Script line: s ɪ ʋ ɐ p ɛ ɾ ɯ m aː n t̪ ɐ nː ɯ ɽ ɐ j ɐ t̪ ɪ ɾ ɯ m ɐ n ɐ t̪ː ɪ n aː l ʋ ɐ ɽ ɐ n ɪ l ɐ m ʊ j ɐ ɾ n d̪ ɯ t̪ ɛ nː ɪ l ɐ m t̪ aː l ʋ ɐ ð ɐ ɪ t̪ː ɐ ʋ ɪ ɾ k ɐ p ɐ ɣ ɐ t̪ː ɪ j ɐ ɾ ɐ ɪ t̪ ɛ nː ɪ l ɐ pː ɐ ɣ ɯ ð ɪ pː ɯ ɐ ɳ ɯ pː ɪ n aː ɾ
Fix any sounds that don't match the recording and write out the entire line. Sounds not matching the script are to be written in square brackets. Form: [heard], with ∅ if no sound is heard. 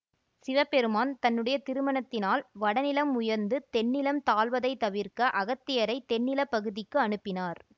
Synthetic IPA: s ɪ ʋ ɐ p ɛ ɾ ɯ m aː n t̪ ɐ nː ɯ ɽ ɐ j ɐ t̪ ɪ ɾ ɯ m ɐ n ɐ t̪ː ɪ n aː l ʋ ɐ ɽ ɐ n ɪ l ɐ m ʊ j ɐ ɾ n d̪ ɯ t̪ ɛ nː ɪ l ɐ m t̪ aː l ʋ ɐ ð ɐ ɪ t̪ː ɐ ʋ ɪ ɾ k ɐ [ʔ] ɐ ɣ ɐ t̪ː ɪ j ɐ ɾ ɐ ɪ t̪ ɛ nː ɪ l ɐ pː ɐ ɣ ɯ ð ɪ [kː] ɯ ɐ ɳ ɯ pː ɪ n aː ɾ